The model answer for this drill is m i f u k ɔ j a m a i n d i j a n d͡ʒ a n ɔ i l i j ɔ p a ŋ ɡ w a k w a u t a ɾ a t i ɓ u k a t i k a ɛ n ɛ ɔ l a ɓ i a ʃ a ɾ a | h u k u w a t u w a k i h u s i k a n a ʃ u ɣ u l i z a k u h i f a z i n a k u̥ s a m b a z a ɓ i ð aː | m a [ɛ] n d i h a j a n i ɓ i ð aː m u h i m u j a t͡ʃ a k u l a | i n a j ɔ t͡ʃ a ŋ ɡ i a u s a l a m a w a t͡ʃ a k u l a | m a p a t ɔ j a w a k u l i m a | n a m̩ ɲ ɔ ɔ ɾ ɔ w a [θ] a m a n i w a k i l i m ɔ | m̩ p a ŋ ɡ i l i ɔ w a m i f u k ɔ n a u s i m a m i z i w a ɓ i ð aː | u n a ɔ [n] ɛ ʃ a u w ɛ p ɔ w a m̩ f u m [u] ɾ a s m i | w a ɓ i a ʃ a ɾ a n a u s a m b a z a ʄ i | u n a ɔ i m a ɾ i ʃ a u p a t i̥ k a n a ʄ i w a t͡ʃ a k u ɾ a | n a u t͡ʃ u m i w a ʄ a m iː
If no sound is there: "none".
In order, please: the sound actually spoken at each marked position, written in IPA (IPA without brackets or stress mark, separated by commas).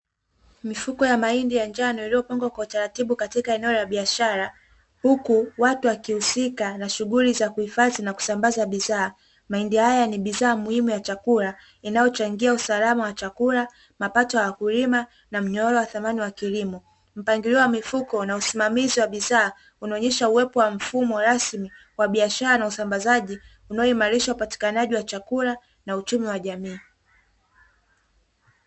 i, θ, ɲ, ɔ